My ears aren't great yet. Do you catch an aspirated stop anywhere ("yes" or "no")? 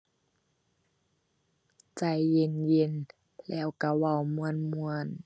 no